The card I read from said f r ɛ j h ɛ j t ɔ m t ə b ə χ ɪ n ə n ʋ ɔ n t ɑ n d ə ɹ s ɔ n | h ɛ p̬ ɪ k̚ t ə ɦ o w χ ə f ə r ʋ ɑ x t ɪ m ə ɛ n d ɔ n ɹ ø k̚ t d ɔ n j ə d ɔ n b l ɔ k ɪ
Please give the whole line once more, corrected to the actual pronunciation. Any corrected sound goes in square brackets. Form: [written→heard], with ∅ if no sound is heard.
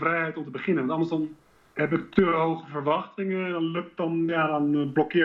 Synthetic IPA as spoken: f r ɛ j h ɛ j t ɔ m t ə b ə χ ɪ n ə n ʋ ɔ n t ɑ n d ə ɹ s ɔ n | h ɛ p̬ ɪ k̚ t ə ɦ o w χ ə f ə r ʋ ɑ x t ɪ [m→ŋ] ə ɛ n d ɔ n [ɹ→l] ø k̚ t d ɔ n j [ə→a] d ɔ n b l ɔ k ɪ